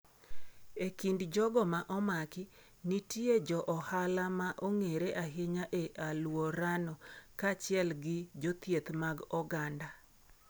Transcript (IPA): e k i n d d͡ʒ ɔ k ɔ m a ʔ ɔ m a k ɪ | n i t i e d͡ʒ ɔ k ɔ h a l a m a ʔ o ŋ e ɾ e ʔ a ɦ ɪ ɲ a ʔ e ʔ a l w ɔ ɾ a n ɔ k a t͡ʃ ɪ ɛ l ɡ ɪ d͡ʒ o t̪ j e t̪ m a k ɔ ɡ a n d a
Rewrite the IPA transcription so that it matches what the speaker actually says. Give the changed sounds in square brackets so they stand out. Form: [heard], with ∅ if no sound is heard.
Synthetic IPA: e k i n d d͡ʒ ɔ [ɡ] ɔ m a ʔ ɔ m a k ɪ | n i t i e d͡ʒ ɔ [ʔ] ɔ h a l a m a ʔ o ŋ e ɾ e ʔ a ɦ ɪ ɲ a ʔ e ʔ a l w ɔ ɾ a n ɔ k a t͡ʃ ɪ ɛ l ɡ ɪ d͡ʒ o t̪ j e t̪ m a [ɡ] ɔ ɡ a n d a